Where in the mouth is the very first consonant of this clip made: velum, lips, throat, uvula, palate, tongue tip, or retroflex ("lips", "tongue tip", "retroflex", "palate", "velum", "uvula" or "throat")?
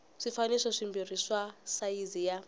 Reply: retroflex